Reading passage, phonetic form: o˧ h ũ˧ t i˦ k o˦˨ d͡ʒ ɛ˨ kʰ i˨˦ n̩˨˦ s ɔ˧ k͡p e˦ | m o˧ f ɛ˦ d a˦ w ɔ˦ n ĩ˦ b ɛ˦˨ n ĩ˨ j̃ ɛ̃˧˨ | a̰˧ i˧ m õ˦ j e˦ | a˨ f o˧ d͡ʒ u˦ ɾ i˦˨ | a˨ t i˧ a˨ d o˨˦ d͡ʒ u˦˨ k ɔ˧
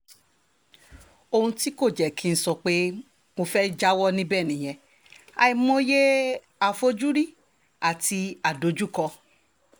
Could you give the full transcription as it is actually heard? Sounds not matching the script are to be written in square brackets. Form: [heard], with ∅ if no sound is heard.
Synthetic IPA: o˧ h ũ˧ t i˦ k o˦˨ d͡ʒ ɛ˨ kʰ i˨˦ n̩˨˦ s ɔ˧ k͡p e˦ | m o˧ f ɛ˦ [d͡ʒ] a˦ w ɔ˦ n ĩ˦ b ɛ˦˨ n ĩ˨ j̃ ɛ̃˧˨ | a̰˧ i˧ m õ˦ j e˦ | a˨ f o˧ d͡ʒ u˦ ɾ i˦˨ | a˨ t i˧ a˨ d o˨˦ d͡ʒ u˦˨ k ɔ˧